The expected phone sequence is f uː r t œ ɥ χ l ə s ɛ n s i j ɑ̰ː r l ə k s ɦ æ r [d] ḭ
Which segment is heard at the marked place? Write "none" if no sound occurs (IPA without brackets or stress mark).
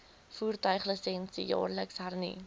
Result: n